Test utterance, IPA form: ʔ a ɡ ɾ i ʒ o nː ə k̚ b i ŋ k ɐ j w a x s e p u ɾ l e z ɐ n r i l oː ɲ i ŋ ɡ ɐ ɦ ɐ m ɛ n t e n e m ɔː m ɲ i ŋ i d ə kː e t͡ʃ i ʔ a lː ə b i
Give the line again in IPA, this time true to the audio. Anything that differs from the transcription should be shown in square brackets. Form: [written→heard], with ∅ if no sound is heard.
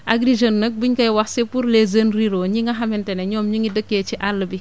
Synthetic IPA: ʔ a ɡ ɾ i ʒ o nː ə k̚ b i [ŋ→ɲ] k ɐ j w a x s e p u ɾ l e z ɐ n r i [l→ɾ] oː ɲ i ŋ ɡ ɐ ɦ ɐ m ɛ n t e n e [m→ɲ] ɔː m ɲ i ŋ i d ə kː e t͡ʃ i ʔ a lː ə b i